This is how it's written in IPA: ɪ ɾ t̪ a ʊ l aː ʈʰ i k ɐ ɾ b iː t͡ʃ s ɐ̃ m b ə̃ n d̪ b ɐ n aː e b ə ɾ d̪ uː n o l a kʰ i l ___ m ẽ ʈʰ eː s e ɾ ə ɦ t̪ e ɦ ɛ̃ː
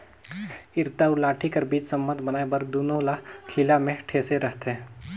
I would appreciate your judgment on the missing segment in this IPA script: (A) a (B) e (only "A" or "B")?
A